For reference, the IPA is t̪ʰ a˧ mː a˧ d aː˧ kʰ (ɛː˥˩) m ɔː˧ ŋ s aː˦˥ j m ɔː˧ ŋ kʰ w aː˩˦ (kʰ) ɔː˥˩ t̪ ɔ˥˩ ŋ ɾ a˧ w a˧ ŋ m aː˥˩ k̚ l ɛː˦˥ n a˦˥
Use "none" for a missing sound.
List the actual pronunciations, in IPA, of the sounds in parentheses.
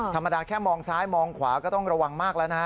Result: ɛː˥˩, k

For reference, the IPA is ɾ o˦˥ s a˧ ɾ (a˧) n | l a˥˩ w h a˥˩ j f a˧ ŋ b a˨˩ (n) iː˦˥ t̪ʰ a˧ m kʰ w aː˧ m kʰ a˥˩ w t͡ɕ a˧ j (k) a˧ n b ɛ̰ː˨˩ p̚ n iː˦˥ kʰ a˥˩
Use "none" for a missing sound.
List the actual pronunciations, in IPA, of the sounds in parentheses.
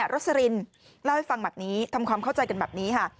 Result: i˧, n, k

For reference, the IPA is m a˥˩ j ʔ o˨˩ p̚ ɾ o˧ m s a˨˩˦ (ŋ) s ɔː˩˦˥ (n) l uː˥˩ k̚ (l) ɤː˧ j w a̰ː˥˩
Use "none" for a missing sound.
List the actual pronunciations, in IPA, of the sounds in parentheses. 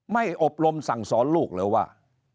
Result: ŋ, n, l

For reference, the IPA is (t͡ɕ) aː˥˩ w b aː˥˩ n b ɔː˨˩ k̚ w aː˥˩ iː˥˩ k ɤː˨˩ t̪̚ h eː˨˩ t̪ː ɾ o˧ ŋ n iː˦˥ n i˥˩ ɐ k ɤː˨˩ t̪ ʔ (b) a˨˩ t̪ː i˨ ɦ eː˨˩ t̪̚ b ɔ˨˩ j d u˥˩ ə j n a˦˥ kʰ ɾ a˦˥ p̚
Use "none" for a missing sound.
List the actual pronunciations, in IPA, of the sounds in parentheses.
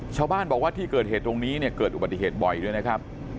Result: t͡ɕʰ, b

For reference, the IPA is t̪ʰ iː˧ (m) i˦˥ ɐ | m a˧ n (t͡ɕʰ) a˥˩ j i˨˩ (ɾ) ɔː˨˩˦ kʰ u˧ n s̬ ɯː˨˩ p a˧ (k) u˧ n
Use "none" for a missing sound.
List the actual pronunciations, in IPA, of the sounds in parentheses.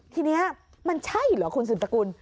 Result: n, t͡ɕʰ, l, k

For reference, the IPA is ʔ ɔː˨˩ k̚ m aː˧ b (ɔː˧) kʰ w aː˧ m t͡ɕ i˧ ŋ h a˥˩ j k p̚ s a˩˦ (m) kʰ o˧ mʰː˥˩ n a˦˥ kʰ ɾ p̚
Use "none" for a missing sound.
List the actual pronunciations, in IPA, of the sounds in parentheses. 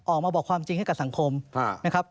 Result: ɔː˨˩, ŋ

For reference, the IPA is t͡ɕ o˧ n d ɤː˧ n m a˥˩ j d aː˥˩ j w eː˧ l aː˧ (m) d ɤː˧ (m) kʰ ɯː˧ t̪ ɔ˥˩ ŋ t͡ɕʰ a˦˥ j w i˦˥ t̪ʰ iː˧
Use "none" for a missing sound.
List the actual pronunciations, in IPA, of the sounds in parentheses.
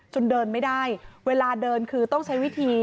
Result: none, n

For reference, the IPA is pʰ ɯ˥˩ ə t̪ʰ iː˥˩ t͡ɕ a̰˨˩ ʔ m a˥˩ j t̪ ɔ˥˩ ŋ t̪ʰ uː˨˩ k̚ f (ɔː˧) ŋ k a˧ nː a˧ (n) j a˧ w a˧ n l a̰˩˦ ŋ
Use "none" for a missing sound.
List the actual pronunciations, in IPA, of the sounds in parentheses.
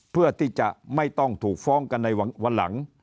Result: ɔː˦˥, none

